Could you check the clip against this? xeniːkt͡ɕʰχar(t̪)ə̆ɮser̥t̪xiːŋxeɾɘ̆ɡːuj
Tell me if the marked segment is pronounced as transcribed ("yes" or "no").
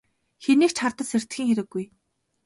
yes